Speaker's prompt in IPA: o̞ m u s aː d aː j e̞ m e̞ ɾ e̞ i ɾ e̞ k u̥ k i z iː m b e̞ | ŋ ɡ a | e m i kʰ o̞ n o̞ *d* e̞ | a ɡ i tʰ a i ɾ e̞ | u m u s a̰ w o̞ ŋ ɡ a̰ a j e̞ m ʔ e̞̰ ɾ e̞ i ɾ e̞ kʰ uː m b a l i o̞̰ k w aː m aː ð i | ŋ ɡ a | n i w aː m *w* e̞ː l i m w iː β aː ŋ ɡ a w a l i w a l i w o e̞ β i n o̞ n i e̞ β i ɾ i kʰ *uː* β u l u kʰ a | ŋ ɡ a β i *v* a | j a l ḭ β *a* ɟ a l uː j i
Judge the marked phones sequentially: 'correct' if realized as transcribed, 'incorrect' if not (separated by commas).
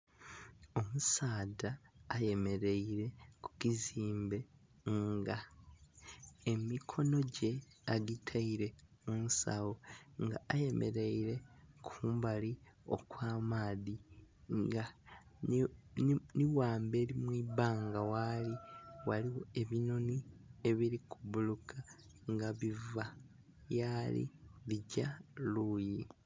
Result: incorrect, incorrect, incorrect, correct, incorrect